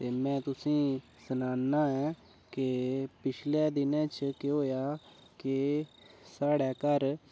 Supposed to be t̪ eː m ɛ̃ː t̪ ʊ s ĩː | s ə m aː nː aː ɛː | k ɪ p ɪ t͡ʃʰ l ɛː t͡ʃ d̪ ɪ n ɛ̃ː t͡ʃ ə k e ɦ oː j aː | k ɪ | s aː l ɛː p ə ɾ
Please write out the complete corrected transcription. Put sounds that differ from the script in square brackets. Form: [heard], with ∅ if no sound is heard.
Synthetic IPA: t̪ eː m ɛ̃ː t̪ ʊ s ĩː | s ə [n] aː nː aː ɛː | k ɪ p ɪ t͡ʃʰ l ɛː [∅] d̪ ɪ n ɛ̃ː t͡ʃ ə k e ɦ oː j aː | k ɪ | s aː [ɽ] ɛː [k] ə ɾ